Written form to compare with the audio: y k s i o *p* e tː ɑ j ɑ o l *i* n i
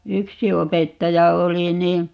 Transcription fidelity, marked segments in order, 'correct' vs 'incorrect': correct, correct

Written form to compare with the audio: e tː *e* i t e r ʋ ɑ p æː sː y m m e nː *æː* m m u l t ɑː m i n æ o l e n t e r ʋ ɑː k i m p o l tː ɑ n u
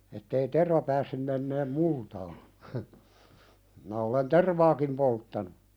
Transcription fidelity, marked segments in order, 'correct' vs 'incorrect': correct, incorrect: eː

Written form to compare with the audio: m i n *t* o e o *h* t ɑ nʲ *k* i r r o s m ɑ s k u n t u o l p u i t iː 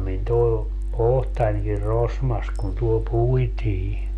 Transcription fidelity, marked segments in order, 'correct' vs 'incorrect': correct, correct, correct

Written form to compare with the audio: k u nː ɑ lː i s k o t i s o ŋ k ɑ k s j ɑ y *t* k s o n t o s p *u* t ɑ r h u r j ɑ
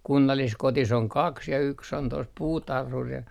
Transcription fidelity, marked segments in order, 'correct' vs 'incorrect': incorrect: none, incorrect: uː

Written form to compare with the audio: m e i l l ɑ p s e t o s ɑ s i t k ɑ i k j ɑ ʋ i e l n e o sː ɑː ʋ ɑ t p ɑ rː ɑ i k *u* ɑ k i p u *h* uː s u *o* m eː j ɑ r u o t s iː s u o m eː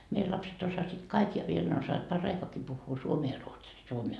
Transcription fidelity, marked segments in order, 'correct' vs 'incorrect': incorrect: o, incorrect: hː, correct

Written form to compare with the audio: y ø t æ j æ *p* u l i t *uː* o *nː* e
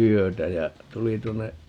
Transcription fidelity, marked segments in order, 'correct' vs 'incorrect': incorrect: t, incorrect: u, correct

